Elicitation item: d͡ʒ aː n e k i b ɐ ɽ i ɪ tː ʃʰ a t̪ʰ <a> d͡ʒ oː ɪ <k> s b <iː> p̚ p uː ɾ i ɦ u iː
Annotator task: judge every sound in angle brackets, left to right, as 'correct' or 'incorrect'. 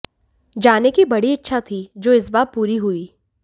incorrect: i, incorrect: none, incorrect: aː

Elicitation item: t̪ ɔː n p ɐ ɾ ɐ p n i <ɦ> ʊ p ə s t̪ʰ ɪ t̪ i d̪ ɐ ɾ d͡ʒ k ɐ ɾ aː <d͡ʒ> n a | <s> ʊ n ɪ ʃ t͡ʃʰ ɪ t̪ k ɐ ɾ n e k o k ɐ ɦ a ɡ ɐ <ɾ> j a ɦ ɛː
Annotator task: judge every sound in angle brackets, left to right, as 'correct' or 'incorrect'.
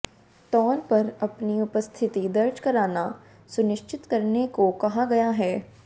incorrect: none, incorrect: none, correct, incorrect: none

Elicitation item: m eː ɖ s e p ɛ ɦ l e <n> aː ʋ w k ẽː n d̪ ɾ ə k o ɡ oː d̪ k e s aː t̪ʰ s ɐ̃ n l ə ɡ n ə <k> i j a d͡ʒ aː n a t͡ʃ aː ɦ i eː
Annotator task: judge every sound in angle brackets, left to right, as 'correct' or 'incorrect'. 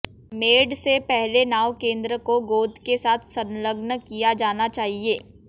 correct, correct

